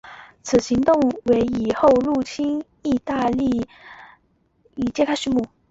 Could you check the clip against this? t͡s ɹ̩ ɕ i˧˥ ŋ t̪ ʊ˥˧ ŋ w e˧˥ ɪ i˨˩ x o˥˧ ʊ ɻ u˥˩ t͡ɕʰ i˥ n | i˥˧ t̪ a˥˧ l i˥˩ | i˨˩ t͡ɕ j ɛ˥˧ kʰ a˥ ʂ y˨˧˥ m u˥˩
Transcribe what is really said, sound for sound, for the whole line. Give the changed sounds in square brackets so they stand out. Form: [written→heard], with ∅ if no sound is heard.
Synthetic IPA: [t͡s→t͡sʰ] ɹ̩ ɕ i˧˥ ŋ t̪ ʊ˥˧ ŋ w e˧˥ ɪ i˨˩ x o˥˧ ʊ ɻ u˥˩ t͡ɕʰ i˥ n | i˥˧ t̪ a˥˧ l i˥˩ | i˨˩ t͡ɕ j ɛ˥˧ kʰ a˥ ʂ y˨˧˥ m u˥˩